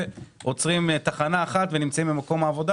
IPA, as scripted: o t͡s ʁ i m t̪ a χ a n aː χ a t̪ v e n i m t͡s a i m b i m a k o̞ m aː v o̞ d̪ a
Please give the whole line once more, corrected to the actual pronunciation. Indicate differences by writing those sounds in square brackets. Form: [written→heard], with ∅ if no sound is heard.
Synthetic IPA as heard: o t͡s ʁ i m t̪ a χ a n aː χ a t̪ v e n i m t͡s a i m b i m a k o̞ m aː v o̞ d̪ a